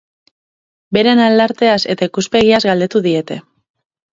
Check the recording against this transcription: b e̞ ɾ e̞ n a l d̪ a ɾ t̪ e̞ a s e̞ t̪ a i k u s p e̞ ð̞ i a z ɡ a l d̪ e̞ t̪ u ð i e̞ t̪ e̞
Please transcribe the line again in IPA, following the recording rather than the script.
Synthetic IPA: b e̞ ɾ e̞ n a l d̪ a ɾ t̪ e̞ a s e̞ t̪ a i k u s p e̞ ɣ̞ i a z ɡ a l d̪ e̞ t̪ u ð i e̞ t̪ e̞

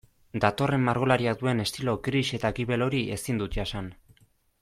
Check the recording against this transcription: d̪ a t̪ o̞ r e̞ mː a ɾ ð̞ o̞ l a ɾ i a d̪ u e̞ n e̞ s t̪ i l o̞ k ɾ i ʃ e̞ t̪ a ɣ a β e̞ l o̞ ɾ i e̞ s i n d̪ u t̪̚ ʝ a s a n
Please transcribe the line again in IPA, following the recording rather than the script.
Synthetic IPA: d̪ a t̪ o̞ r e̞ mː a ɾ ɣ̞ o̞ l a ɾ i a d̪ u e̞ n e̞ s t̪ i l o̞ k ɾ i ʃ e̞ t̪ a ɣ i β e̞ l o̞ ɾ i e̞ s i n d̪ u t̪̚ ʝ a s a n

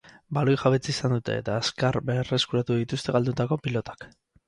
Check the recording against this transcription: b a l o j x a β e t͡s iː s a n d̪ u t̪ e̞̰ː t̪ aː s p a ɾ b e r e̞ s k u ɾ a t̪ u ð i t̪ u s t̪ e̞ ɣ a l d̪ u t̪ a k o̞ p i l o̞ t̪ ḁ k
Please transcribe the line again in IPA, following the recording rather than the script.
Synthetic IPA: b a l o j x a β e t͡s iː s a n d̪ u t̪ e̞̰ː t̪ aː s k a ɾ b e r e̞ s k u ɾ a t̪ u ð i t̪ u s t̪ e̞ ɣ a l d̪ u t̪ a k o̞ p i l o̞ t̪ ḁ k

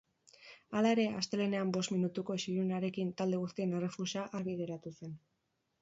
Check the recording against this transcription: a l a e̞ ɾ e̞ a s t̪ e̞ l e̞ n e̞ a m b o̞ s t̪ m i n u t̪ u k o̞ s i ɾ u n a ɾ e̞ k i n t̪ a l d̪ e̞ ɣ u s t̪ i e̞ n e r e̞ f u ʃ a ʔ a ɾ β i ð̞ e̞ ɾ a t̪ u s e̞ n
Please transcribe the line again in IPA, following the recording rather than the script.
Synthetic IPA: a l a e̞ ɾ e̞ a s t̪ e̞ l e̞ n e̞ a m b o̞ s t̪ m i n u t̪ u k o̞ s i ɾ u n a ɾ e̞ k i n t̪ a l d̪ e̞ ɣ u s t̪ i e̞ n e r e̞ f u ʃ a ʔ a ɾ β i ð̞ e̞ ɾ a t̪ u s e̞ n

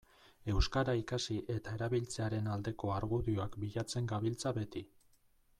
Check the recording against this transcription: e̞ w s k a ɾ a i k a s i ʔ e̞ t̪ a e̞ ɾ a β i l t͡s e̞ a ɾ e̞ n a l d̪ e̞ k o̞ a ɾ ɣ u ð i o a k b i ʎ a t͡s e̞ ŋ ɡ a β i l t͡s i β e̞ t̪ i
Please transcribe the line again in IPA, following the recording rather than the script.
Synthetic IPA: e̞ w s k a ɾ a i k a s i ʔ e̞ t̪ a e̞ ɾ a β i l t͡s e̞ a ɾ e̞ n a l d̪ e̞ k o̞ a ɾ ɣ u ð i o a k b i ʎ a t͡s e̞ ŋ ɡ a β i l t͡s a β e̞ t̪ i

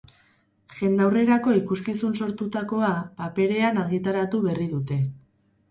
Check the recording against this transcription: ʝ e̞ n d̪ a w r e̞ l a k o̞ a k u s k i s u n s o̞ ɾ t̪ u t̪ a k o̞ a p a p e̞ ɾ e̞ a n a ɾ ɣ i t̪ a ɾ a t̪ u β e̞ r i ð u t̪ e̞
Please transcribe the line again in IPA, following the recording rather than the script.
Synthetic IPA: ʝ e̞ n d̪ a w r e̞ ɾ a k o̞ i k u s k i s u n s o̞ ɾ t̪ u t̪ a k o̞ a p a p e̞ ɾ e̞ a n a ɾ ɣ i t̪ a ɾ a t̪ u β e̞ r i ð u t̪ e̞

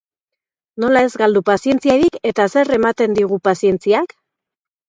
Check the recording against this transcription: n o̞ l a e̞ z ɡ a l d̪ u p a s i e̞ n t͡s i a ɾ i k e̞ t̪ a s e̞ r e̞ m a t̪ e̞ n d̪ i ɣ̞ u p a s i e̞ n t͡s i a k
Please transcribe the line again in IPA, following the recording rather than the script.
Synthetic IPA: n o̞ l a e̞ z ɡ a l d̪ u p a s i e̞ n t͡s i a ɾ i k e̞ t̪ a s e̞ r e̞ m a t̪ e̞ n d̪ i ɣ̞ u p a s i e̞ n t͡s i a k

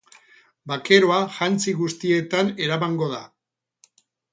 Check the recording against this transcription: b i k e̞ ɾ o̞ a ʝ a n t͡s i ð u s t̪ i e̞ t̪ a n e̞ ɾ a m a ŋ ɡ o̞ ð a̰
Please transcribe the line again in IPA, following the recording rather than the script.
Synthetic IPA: b a k e̞ ɾ o̞ a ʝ a n t͡s i ɣ u s t̪ i e̞ t̪ a n e̞ ɾ a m a ŋ ɡ o̞ ð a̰

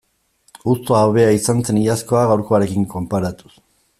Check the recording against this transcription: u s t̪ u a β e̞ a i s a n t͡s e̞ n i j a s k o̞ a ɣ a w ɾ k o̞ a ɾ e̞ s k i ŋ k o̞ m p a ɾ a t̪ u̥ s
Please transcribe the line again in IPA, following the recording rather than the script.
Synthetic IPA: u s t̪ o a β e̞ a i s a n t͡s e̞ n i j a s k o̞ a ɣ a w ɾ k o̞ a ɾ e̞ k i ŋ k o̞ m p a ɾ a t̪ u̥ s

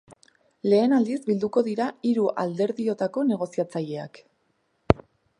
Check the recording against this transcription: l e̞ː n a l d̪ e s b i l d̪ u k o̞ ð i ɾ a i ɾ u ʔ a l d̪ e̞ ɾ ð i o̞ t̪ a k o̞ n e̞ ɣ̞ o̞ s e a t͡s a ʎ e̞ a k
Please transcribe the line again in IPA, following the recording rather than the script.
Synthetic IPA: l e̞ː n a l d̪ i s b i l d̪ u k o̞ ð i ɾ a i ɾ u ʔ a l d̪ e̞ ɾ ð i o̞ t̪ a k o̞ n e̞ ɣ̞ o̞ s i a t͡s a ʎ e̞ a k

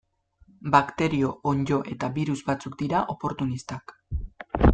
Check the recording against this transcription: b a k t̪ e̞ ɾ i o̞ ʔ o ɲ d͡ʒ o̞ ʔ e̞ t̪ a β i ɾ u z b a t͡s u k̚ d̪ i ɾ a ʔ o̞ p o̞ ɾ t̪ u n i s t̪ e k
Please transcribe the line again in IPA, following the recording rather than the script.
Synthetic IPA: b a k t̪ e̞ ɾ i o̞ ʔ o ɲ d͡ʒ o̞ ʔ e̞ t̪ a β i ɾ u z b a t͡s u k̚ d̪ i ɾ a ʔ o̞ p o̞ ɾ t̪ u n i s t̪ a k

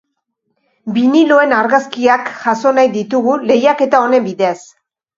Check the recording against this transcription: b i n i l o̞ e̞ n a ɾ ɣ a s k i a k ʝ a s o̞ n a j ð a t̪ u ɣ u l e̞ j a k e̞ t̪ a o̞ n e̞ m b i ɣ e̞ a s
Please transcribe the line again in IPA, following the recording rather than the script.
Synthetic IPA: b i n i l o̞ e̞ n a ɾ ɣ a s k i a k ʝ a s o̞ n a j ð i t̪ u ɣ u l e̞ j a k e̞ t̪ a o̞ n e̞ m b i ð e̞ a s

